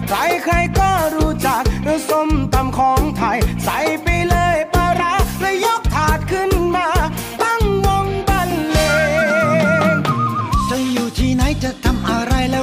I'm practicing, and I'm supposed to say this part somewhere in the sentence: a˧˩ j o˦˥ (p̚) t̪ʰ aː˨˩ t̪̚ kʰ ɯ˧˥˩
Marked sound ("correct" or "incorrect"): incorrect